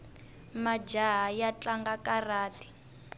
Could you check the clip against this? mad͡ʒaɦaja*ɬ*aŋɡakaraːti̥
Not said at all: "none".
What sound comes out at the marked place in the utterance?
t͡ɬ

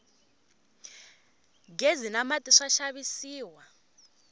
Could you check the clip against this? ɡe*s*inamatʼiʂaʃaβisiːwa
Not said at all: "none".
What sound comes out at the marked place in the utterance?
z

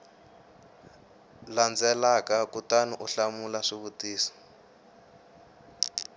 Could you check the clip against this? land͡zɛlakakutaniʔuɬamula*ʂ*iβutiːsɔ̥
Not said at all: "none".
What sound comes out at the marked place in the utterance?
ʂ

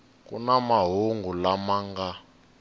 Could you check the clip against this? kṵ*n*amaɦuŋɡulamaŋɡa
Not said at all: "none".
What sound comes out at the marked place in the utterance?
n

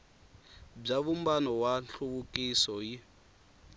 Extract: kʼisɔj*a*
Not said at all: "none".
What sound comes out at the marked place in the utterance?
i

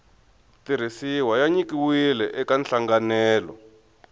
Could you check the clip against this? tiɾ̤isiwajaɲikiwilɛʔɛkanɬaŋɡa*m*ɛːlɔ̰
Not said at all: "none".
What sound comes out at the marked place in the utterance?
n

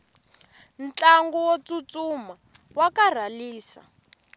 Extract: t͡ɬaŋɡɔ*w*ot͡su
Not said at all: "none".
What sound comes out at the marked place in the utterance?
w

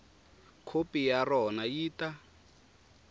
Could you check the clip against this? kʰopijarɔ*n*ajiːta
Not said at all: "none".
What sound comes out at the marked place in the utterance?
n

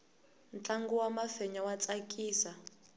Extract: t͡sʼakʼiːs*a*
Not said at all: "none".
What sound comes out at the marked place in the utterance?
a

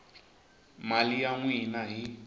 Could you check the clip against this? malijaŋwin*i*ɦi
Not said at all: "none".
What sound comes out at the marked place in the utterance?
a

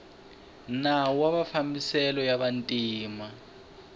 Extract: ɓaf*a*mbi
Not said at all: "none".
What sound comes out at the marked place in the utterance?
a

